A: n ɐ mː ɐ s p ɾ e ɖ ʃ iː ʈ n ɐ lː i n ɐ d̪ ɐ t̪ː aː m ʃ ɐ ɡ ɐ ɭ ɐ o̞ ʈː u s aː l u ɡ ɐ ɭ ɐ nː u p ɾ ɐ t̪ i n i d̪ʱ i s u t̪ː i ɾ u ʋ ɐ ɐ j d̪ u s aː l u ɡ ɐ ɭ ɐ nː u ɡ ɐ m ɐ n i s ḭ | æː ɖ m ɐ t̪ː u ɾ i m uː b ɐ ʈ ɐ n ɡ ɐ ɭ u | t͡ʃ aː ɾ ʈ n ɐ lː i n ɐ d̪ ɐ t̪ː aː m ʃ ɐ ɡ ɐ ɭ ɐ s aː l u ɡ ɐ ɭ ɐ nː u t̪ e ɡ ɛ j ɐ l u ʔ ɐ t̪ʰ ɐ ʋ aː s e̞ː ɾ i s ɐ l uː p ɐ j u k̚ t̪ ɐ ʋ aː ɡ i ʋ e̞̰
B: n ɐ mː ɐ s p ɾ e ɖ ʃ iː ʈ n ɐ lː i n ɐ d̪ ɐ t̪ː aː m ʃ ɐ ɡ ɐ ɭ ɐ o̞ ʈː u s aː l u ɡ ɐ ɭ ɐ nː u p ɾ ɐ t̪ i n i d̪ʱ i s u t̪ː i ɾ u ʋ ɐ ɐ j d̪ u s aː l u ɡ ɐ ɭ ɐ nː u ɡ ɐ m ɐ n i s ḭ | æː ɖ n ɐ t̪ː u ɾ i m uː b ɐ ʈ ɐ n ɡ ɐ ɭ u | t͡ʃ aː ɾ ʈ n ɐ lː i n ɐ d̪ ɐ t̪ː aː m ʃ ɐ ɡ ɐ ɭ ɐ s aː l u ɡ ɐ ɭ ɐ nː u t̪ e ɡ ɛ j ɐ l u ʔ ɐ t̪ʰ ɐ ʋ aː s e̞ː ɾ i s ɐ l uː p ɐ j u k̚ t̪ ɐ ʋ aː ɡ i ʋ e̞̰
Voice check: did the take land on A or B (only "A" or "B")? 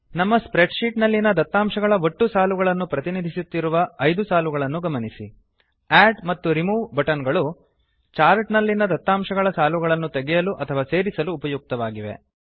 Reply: A